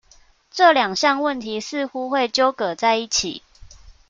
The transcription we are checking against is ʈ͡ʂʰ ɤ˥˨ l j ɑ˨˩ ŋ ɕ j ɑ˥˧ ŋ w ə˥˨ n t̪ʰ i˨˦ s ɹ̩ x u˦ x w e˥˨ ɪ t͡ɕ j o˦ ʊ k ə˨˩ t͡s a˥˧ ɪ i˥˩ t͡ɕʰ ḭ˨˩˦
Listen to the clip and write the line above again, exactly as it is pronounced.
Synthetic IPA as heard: ʈ͡ʂ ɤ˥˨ l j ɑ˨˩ ŋ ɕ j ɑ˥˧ ŋ w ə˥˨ n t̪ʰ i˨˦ s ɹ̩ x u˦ x w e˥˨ ɪ t͡ɕ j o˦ ʊ k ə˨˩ t͡s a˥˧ ɪ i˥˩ t͡ɕʰ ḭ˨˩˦